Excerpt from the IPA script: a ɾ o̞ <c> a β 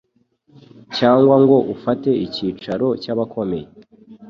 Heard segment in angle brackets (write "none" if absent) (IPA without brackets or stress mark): c